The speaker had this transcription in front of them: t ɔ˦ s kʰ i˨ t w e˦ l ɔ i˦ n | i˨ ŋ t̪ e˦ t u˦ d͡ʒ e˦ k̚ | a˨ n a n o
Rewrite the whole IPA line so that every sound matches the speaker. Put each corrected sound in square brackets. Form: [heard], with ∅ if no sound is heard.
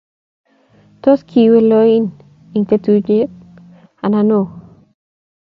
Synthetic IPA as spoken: t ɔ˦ s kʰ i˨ [∅] w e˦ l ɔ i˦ n | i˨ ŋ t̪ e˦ t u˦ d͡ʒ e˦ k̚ | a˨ n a n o